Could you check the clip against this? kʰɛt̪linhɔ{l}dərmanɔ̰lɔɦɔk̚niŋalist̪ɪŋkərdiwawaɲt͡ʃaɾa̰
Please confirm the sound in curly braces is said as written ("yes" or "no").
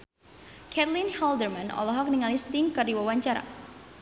yes